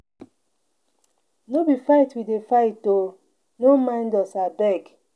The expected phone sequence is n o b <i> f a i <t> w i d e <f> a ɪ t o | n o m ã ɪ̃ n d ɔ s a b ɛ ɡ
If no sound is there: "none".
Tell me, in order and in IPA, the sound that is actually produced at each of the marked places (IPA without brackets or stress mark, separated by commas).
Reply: i, t, f